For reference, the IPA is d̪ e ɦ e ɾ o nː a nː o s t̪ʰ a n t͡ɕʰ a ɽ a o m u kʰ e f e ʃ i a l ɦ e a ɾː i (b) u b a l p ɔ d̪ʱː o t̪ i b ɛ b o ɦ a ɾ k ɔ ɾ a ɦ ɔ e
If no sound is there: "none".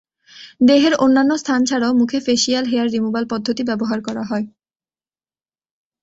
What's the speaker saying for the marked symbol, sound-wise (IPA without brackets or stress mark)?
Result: m